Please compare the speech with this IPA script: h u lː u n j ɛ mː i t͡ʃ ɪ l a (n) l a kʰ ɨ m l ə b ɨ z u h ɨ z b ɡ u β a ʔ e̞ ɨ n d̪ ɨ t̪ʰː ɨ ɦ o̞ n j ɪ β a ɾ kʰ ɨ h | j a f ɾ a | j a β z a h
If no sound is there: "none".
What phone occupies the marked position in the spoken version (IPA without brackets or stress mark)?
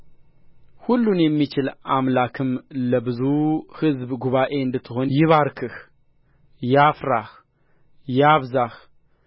m